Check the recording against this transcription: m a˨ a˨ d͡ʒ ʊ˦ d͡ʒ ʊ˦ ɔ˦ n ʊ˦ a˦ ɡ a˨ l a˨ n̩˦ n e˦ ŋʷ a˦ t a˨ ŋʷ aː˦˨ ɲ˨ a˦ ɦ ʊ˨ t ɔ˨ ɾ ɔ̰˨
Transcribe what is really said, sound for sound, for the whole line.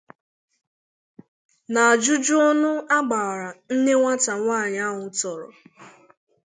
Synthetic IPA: n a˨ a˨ d͡ʒ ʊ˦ d͡ʒ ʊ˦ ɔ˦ n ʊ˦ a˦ ɡ͡b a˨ ɾ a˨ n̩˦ n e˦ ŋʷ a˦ t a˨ ŋʷ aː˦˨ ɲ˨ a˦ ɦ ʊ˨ t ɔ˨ ɾ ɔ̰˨